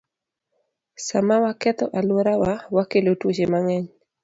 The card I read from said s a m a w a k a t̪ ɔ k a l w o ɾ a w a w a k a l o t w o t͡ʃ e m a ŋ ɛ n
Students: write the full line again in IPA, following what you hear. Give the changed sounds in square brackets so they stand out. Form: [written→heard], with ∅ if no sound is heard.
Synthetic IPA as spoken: s a m a w a k [a→ɛ] t̪ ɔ [k→ʔ] a l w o ɾ a w a w a k [a→e] l o t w o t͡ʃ e m a ŋ ɛ [n→ɲ]